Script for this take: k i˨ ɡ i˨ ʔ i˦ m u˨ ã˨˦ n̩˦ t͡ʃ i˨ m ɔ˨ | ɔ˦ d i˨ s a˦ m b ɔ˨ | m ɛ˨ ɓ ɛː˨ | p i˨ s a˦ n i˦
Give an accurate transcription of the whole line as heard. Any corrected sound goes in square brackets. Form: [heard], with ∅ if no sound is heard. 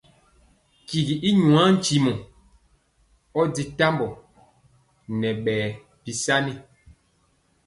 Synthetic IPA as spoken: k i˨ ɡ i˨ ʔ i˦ [ɲ] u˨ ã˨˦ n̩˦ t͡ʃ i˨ m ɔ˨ | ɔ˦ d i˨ [t] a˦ m b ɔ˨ | [n] ɛ˨ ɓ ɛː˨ | p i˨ s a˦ n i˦